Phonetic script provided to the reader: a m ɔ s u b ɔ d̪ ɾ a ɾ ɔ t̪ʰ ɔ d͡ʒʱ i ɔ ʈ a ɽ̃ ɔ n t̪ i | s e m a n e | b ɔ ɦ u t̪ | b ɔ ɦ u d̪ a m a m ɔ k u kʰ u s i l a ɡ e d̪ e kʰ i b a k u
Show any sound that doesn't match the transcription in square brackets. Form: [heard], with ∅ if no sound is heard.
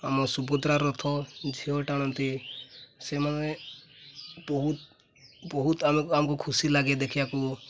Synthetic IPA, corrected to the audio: a m ɔ s u b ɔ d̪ ɾ a ɾ ɔ t̪ʰ ɔ d͡ʒʱ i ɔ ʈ a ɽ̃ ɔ n t̪ i | s e m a n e | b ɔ ɦ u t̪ | b ɔ ɦ u [t̪] a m a m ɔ k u kʰ u s i l a ɡ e d̪ e kʰ i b a k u